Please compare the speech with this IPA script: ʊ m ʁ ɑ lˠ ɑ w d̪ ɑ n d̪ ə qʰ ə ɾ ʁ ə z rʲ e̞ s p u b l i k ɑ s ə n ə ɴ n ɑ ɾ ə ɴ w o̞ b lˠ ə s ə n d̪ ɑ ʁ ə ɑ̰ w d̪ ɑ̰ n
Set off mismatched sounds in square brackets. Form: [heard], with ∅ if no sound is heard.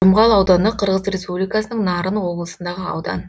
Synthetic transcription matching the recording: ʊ m ʁ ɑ lˠ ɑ w d̪ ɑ n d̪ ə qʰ ə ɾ ʁ ə z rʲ e̞ s p u b l i k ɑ s ə n ə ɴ n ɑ ɾ ə [n] w o̞ b lˠ ə s ə n d̪ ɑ ʁ ə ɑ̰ w d̪ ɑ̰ n